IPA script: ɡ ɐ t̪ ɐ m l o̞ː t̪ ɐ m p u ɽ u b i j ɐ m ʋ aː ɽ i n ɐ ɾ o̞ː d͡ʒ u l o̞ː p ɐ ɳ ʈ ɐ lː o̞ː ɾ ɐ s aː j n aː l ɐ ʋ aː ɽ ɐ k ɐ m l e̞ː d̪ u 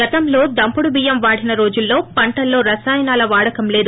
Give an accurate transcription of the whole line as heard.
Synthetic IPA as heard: ɡ ɐ t̪ ɐ m l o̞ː d̪ ɐ m p u ɽ u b i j ɐ m ʋ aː ɽ i n ɐ ɾ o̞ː d͡ʒ u lː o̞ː p ɐ ɳ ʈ ɐ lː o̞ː ɾ ɐ s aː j n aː l ɐ ʋ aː ɽ ɐ k ɐ m l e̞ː d̪ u

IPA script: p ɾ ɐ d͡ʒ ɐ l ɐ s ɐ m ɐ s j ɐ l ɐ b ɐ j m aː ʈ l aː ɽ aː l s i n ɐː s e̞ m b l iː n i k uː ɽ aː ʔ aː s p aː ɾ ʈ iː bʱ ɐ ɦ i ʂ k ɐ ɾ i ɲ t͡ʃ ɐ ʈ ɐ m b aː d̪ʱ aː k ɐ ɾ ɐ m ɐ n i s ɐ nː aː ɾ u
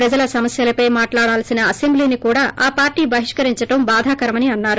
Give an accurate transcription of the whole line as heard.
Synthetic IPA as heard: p ɾ ɐ d͡ʒ ɐ l ɐ s ɐ m ɐ s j ɐ l ɐ p ɐ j m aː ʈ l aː ɽ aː l s i n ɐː s e̞ m b l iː n i k uː ɽ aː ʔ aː p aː ɾ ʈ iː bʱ ɐ ɦ i ʂ k ɐ ɾ i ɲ t͡ʃ ɐ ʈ ɐ m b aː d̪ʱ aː k ɐ ɾ ɐ m ɐ n i ɐ nː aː ɾ u

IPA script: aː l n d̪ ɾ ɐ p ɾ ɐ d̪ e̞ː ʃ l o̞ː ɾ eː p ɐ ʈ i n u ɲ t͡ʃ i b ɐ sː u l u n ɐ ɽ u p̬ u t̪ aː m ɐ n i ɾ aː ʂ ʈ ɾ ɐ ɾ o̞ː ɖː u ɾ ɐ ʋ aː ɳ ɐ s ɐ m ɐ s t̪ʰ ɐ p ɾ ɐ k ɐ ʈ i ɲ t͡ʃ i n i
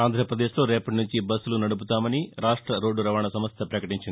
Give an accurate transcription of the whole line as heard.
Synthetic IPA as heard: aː n d̪ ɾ ɐ p ɾ ɐ d̪ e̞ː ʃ l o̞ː ɾ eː p ɐ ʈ i n u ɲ t͡ʃ i b ɐ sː u l u n ɐ ɽ u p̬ u t̪ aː m ɐ n i ɾ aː ʂ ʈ ɾ ɐ ɾ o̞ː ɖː u ɾ ɐ ʋ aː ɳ ɐ s ɐ m ɐ s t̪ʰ ɐ p ɾ ɐ k ɐ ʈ i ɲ t͡ʃ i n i

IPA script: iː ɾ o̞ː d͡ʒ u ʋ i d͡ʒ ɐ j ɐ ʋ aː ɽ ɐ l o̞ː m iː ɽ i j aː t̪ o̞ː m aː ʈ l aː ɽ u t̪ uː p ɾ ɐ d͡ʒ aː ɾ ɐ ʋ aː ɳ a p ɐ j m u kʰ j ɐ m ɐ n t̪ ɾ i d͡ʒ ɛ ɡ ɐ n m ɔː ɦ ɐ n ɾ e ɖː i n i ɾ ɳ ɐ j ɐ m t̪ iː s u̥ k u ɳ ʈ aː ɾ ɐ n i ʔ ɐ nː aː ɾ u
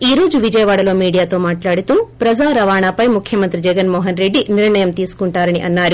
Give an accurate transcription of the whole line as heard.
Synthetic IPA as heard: iː ɾ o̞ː d͡ʒ u ʋ i d͡ʒ ɐ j ɐ ʋ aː ɽ ɐ l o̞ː m iː ɽ i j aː t̪ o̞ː m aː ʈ l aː ɽ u t̪ uː p ɾ ɐ d͡ʒ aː ɾ ɐ ʋ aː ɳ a p ɐ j m u kʰ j ɐ m ɐ n t̪ ɾ i d͡ʒ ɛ ɡ ɐ n m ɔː ɦ ɐ n ɾ e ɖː i n i ɾ ɳ ɐ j ɐ m t̪ iː s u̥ k u ɳ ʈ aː ɾ ɐ n i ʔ ɐ nː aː ɾ u

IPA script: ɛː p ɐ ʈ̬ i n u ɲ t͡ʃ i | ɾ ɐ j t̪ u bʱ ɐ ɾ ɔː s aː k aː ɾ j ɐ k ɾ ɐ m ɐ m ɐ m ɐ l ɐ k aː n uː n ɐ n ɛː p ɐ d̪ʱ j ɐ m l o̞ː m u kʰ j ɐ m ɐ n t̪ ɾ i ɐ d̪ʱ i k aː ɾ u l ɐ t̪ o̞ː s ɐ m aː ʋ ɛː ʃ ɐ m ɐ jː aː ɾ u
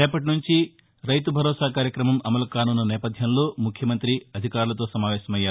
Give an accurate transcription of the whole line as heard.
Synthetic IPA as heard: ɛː p ɐ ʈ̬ i n u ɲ t͡ʃ i | ɾ ɐ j t̪ u bʱ ɐ ɾ ɔː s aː k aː ɾ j ɐ k ɾ ɐ m ɐ m ɐ m ɐ l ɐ k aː n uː n ɐ n ɛː p ɐ d̪ʱ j ɐ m l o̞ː m u kʰ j ɐ m ɐ n t̪ ɾ i ɐ d̪ʱ i k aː ɾ u l ɐ t̪ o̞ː s ɐ m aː ʋ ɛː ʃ ɐ m ɐ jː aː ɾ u

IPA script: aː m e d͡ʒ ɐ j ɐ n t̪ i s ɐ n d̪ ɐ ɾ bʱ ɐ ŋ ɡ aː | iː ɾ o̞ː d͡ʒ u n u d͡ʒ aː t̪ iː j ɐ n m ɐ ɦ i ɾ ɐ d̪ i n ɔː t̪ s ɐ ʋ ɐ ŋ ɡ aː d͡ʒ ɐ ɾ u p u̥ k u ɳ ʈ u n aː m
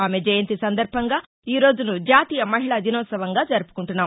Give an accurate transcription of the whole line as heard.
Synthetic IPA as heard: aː m e d͡ʒ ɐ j ɐ n t̪ i s ɐ n d̪ ɐ ɾ bʱ ɐ ŋ ɡ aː | iː ɾ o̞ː d͡ʒ u n u d͡ʒ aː t̪ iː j ɐ m ɐ ɦ i ɭ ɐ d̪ i n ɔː t̪ s ɐ ʋ ɐ ŋ ɡ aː d͡ʒ ɐ ɾ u p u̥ k u ɳ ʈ u nː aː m

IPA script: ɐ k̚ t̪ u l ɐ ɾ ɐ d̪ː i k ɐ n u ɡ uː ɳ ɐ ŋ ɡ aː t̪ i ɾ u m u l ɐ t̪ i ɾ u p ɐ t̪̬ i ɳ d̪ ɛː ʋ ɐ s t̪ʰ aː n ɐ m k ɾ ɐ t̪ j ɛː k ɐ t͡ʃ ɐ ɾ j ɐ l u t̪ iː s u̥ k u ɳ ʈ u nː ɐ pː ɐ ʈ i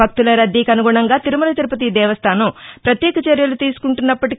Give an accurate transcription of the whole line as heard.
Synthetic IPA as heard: ɐ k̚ t̪ u l ɐ ɾ ɐ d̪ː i k ɐ n u ɡ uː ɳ ɐ ŋ ɡ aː t̪ i ɾ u m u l ɐ t̪ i ɾ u p ɐ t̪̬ i d̪ ɛː ʋ ɐ s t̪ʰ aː n ɐ m p ɾ ɐ t̪ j ɛː k ɐ t͡ʃ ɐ ɾ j ɐ l u t̪ iː s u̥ k u ɳ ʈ u nː ɐ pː ɐ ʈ i

